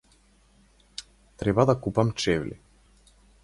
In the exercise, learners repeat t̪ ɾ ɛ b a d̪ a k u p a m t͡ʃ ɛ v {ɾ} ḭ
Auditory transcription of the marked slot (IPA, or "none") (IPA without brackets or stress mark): l